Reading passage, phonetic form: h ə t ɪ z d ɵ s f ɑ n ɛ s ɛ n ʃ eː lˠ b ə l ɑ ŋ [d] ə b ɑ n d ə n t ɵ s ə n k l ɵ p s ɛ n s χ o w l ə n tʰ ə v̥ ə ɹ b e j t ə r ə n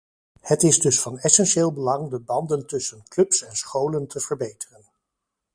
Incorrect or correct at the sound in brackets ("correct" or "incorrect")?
correct